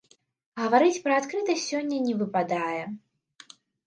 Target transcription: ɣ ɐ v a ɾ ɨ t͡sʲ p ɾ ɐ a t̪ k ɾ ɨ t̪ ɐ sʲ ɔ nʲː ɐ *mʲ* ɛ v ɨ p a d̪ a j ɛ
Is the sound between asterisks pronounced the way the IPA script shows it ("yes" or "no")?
no